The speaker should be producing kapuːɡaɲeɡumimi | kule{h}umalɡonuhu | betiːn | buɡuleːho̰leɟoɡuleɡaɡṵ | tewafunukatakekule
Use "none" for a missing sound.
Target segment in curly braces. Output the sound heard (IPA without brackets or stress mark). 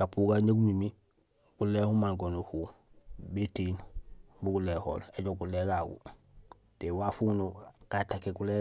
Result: h